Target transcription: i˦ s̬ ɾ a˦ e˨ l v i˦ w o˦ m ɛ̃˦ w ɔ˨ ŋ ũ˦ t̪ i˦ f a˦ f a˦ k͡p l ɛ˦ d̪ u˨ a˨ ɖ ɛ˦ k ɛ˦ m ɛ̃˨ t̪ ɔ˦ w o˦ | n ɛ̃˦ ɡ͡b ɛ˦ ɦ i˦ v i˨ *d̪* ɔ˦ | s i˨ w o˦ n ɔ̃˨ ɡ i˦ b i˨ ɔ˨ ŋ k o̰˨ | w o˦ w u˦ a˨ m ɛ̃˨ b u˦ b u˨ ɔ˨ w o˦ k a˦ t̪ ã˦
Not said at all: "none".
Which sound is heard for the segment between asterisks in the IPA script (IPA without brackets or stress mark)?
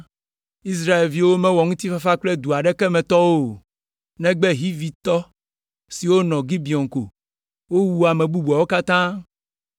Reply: t̪